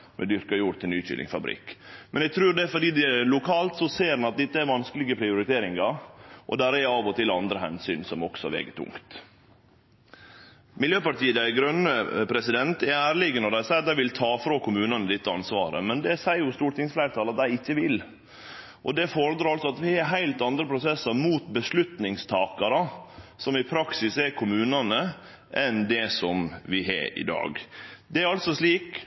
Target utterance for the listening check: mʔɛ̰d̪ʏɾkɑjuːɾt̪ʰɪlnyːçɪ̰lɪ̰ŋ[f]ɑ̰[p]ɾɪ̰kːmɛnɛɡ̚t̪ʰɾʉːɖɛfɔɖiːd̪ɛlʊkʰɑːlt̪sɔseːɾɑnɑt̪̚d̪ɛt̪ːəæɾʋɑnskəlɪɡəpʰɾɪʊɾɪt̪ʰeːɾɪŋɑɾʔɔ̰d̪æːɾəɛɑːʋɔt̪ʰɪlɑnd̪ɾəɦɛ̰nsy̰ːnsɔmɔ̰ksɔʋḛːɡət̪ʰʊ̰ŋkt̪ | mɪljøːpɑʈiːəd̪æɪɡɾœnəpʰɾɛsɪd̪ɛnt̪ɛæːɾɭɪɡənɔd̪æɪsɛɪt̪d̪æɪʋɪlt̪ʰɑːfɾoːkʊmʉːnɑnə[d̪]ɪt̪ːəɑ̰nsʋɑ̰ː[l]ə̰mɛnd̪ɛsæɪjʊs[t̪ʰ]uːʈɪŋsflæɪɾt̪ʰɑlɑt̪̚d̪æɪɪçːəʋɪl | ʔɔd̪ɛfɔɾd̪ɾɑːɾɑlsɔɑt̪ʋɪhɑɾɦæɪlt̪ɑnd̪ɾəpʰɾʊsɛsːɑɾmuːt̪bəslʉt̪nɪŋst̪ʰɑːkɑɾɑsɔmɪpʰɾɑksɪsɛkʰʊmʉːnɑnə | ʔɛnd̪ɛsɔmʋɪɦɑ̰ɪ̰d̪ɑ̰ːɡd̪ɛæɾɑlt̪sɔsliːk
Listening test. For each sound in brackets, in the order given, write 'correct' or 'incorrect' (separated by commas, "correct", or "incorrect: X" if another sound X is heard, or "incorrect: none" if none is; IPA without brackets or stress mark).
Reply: correct, incorrect: b, correct, incorrect: ɾ, incorrect: t̪